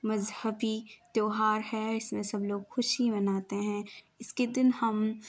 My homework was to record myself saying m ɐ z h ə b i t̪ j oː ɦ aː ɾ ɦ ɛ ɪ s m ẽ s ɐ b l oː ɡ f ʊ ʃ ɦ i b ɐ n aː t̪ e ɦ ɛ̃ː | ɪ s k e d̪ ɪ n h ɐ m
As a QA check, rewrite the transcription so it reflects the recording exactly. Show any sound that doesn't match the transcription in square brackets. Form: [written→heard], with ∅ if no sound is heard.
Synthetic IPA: m ɐ z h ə b i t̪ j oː ɦ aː ɾ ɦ ɛ ɪ s m ẽ s ɐ b l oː ɡ [f→x] ʊ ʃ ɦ i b ɐ n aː t̪ e ɦ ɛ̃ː | ɪ s k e d̪ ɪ n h ɐ m